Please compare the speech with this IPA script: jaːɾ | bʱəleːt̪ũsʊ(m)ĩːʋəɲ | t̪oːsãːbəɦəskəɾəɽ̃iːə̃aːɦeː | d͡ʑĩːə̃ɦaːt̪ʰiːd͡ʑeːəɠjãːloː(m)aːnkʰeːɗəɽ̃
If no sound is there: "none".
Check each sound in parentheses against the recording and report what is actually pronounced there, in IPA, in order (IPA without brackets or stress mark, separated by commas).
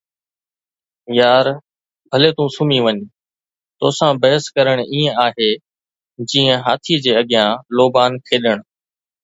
m, b